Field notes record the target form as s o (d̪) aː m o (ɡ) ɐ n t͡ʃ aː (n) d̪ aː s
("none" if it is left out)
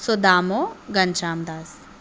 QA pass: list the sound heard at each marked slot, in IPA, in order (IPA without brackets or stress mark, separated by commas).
d̪, ɡ, m